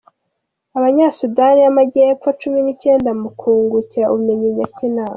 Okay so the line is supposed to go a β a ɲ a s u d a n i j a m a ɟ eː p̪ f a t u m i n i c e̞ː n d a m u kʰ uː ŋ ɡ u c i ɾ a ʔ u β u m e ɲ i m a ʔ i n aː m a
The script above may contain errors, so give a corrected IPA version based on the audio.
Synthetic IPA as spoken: a β a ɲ a s u d a n i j a m a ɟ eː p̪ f a t͡ʃ u m i n i c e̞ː n d a m u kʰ uː ŋ ɡ u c i ɾ a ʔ u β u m e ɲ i ɲ a c i n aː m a